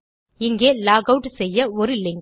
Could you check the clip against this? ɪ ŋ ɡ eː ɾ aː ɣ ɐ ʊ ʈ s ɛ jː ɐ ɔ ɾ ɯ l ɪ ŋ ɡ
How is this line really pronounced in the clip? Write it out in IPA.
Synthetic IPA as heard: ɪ ŋ ɡ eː l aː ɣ ɐ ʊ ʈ s ɛ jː ɐ ɔ ɾ ɯ l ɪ ŋ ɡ